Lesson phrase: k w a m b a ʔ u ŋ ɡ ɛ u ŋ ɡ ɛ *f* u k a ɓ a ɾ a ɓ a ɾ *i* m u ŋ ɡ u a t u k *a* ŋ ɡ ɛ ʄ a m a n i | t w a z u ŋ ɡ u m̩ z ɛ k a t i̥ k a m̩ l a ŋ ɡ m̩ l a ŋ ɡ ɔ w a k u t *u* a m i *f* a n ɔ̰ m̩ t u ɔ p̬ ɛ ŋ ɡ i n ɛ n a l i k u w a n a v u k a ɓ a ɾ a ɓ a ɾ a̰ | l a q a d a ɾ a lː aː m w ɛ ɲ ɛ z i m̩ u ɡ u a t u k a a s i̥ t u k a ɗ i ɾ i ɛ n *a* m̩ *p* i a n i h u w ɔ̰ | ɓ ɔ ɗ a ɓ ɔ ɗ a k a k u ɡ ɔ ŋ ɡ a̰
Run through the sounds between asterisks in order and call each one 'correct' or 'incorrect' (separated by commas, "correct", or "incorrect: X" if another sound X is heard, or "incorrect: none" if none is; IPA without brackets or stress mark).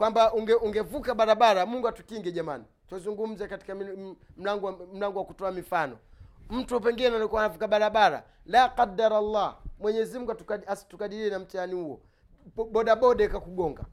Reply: incorrect: v, incorrect: a, incorrect: i, incorrect: ɔ, correct, correct, incorrect: t